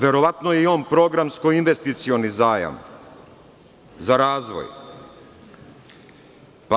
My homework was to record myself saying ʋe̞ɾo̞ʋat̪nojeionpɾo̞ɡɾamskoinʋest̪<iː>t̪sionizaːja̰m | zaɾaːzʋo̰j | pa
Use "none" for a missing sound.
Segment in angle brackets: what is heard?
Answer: i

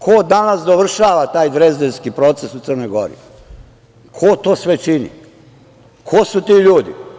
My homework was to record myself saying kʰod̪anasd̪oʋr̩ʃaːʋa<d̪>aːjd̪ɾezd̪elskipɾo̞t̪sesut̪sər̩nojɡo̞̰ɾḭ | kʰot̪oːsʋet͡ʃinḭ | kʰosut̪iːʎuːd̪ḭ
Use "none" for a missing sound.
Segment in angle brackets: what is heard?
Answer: t̪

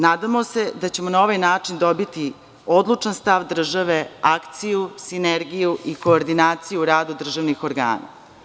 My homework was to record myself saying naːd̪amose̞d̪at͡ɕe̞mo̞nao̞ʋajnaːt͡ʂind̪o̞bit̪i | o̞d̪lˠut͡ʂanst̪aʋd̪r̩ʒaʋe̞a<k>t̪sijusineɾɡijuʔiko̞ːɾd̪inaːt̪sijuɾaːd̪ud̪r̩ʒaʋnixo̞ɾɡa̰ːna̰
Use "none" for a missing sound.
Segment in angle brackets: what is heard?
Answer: k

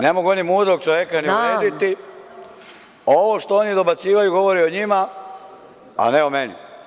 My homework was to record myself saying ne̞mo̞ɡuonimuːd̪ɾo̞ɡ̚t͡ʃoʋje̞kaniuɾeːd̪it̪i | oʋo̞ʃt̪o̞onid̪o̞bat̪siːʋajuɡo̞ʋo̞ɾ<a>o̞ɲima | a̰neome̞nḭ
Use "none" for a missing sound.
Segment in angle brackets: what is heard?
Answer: i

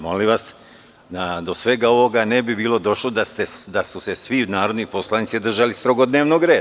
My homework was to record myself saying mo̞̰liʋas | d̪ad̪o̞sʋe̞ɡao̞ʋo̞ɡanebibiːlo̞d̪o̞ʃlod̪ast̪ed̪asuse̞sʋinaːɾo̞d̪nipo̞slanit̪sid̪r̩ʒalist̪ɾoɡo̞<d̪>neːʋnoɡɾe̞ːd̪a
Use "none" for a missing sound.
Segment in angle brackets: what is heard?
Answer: d̪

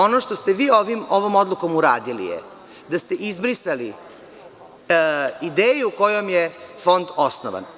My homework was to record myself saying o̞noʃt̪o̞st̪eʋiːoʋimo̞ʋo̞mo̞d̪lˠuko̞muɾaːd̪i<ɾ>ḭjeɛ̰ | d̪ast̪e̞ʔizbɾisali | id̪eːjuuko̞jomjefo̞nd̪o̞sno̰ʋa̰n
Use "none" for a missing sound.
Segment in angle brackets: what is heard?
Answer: l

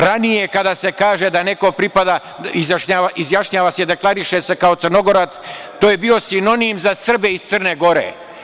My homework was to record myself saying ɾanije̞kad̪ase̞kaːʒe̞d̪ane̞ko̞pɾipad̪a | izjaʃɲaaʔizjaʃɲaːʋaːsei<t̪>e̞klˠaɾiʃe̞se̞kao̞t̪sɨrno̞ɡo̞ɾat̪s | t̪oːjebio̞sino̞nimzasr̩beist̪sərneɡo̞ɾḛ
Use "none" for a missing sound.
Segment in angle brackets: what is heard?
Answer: d̪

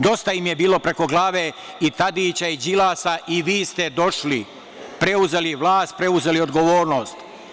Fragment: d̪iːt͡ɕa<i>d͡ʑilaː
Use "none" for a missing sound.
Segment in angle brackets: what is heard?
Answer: i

